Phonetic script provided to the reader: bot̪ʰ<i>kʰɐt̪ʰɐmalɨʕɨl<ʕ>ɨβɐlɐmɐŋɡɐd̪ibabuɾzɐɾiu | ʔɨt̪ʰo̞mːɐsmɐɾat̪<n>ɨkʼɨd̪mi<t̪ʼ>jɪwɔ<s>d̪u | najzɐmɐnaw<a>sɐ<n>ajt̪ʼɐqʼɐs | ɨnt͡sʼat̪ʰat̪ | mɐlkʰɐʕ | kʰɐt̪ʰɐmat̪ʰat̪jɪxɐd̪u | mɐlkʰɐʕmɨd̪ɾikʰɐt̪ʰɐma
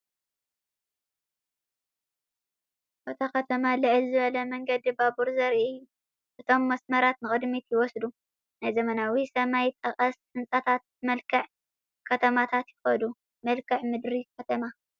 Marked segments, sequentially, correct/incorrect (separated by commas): incorrect, incorrect, correct, incorrect, correct, incorrect, incorrect